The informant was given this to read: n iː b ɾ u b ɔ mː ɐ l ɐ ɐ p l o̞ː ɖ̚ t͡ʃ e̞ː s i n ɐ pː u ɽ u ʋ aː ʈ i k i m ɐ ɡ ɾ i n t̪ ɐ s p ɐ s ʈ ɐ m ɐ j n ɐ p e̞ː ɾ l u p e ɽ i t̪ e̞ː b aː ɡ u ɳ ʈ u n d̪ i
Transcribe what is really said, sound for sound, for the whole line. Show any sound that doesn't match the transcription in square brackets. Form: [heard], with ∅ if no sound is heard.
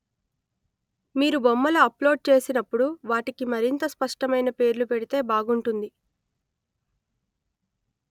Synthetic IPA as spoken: [m] iː [∅] ɾ u b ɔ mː ɐ l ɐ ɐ p l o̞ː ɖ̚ t͡ʃ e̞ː s i n ɐ pː u ɽ u ʋ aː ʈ i k i m ɐ [∅] ɾ i n t̪ ɐ s p ɐ [ʂ] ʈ ɐ m ɐ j n ɐ p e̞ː ɾ l u p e ɽ i t̪ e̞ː b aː ɡ u ɳ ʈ u n d̪ i